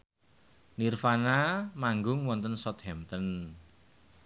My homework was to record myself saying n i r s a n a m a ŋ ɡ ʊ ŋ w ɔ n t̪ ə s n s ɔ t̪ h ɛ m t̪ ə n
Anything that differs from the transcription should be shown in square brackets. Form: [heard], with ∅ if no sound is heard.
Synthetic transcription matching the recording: n i r [f] a n a m a ŋ ɡ ʊ ŋ w ɔ n t̪ ə [∅] n s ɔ t̪ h ɛ m t̪ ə n